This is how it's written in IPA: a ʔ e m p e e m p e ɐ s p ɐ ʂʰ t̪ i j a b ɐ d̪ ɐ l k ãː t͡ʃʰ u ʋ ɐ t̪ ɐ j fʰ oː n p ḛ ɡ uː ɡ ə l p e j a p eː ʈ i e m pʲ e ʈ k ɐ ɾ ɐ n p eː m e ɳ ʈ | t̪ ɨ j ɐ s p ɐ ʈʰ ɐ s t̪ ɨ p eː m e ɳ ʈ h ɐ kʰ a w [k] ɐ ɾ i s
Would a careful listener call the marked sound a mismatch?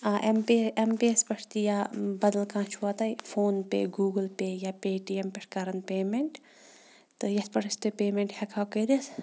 no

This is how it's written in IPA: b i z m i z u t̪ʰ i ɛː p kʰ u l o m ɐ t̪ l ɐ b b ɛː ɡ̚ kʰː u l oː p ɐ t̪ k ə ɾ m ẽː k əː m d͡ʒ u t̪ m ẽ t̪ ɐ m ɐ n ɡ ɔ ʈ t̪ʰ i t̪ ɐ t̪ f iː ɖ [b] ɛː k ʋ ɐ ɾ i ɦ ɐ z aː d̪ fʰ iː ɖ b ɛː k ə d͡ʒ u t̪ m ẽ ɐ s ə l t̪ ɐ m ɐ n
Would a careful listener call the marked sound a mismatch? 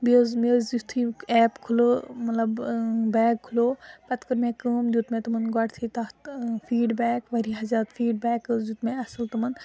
no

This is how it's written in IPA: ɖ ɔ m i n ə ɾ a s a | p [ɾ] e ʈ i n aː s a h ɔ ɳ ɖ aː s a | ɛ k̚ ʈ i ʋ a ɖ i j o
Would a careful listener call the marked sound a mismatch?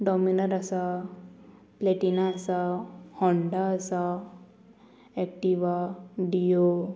yes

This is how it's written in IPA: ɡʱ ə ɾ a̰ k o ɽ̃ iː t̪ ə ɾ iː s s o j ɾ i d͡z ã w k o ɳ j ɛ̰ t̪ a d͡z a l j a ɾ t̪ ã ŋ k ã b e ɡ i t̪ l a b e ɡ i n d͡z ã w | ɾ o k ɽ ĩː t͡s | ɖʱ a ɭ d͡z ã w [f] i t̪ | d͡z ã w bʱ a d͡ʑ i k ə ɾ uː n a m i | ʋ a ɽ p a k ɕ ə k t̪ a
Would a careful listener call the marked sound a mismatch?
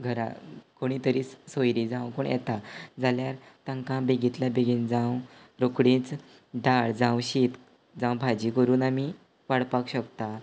yes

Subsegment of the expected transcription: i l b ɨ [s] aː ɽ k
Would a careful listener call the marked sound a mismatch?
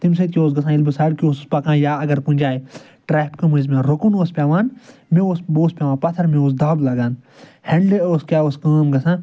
no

